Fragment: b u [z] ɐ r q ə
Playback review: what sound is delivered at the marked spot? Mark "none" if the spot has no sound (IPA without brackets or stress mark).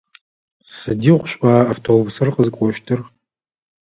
s